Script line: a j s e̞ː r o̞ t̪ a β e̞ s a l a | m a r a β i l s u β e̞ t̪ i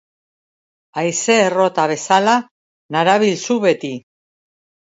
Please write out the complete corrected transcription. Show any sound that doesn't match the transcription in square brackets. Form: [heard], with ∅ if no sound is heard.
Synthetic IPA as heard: a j s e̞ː r o̞ t̪ a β e̞ s a l a | [n] a [ɾ] a β i l s u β e̞ t̪ i